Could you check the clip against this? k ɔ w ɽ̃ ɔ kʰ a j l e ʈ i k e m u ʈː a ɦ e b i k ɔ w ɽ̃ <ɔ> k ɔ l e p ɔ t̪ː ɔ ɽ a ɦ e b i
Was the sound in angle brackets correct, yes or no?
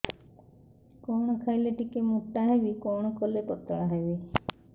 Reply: yes